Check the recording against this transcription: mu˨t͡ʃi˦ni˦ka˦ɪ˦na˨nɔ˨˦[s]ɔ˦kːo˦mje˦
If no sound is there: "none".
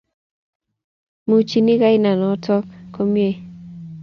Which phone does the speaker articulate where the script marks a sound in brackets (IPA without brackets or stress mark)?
t